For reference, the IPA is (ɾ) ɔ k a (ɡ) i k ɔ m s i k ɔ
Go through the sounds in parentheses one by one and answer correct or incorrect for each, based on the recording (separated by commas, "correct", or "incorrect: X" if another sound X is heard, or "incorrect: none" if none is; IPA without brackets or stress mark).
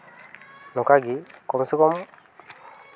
incorrect: l, correct